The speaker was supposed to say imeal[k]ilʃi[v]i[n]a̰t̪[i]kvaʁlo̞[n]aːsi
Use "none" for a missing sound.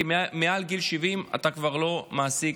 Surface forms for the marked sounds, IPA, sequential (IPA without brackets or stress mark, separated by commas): ɡ, v, m, a, m